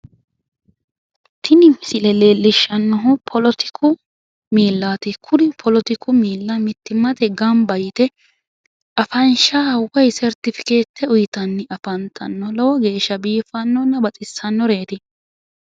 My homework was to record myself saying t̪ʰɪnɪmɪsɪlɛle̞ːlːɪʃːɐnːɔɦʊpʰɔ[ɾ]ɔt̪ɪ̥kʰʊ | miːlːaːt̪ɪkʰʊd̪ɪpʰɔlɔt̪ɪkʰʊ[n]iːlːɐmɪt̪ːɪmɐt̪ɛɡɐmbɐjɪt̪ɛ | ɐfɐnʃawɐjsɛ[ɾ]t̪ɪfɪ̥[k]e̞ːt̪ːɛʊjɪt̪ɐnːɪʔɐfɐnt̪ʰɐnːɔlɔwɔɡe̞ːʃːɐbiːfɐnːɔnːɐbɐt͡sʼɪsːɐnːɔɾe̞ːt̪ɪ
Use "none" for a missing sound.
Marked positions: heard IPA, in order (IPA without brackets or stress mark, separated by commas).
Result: l, m, ɾ, k